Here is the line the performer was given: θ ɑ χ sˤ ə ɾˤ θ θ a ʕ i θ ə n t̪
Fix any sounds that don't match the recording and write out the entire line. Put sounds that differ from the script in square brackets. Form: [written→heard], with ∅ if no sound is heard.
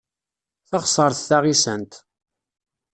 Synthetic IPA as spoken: θ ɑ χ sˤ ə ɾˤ θ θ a [ʕ→ʁ] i [θ→s] ə n t̪